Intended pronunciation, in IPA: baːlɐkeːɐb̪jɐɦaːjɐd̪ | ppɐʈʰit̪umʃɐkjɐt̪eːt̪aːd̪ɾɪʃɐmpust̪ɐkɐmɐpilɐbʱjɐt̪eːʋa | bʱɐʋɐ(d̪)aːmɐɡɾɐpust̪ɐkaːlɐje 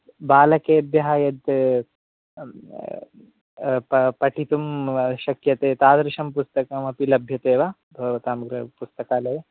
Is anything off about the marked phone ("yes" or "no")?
yes